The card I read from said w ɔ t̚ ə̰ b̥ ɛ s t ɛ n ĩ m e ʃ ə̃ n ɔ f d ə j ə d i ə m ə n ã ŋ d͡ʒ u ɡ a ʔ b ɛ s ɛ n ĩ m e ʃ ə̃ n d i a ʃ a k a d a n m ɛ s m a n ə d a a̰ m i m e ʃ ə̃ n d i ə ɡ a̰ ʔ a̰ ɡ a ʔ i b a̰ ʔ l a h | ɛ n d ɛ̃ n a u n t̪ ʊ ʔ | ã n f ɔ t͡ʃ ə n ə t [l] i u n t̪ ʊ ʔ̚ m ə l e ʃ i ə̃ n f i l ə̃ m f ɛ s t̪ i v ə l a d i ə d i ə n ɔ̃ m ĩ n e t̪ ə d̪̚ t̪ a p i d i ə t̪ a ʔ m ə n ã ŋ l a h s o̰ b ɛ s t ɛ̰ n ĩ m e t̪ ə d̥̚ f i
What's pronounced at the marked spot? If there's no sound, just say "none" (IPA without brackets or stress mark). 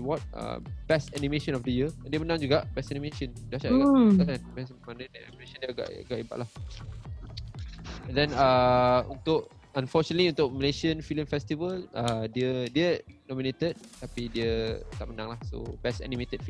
l